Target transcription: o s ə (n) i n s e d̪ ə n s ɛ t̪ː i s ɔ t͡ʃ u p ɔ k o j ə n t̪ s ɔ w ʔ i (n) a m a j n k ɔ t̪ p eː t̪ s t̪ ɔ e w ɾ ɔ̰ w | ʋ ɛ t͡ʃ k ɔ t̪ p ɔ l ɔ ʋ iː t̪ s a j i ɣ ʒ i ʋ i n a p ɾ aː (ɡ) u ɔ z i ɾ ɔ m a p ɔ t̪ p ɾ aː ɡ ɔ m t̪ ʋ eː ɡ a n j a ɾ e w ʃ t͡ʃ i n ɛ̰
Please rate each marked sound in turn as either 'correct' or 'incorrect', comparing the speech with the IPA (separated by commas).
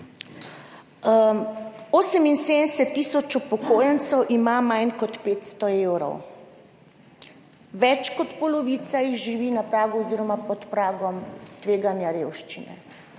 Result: incorrect, incorrect, correct